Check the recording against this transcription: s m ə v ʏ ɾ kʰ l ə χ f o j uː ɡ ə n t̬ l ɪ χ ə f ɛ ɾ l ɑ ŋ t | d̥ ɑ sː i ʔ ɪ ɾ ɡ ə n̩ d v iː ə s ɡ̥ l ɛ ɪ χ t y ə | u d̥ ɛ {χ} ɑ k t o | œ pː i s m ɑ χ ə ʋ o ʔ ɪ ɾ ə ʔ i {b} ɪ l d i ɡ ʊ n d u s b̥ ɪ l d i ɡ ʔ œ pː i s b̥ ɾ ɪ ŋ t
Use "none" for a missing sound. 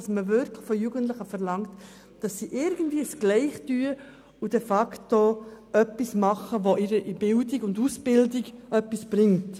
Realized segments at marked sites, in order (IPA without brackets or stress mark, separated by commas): f, b